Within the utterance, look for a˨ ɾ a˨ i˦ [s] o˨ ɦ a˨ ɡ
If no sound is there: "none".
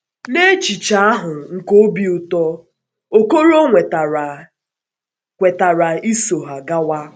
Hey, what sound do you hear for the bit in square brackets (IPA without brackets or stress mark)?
s